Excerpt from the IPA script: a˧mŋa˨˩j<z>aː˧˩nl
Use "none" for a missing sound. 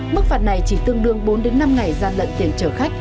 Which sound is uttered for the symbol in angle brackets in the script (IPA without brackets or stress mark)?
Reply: z